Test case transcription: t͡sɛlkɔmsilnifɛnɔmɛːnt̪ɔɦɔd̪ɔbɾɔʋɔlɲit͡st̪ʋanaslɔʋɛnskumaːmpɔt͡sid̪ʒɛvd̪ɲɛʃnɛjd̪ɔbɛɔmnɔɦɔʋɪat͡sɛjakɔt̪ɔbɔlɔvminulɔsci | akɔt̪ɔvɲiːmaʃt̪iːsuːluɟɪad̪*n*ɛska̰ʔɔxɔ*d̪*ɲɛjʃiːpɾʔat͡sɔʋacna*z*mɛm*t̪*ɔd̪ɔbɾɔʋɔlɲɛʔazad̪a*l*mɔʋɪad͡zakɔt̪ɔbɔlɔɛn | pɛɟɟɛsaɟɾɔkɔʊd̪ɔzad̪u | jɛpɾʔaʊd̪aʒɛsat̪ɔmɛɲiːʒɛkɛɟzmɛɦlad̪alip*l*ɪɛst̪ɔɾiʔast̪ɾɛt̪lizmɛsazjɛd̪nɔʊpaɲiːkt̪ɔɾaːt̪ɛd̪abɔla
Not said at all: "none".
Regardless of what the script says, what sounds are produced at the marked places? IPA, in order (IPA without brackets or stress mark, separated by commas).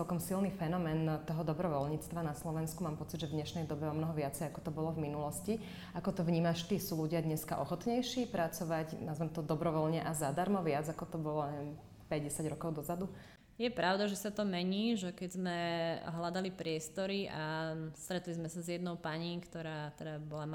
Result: ɲ, t̪, z, t̪, ɾ, ɾ